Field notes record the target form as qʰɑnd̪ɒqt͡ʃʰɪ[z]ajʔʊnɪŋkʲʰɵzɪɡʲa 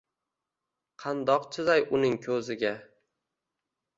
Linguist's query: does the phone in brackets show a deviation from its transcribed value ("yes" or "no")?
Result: no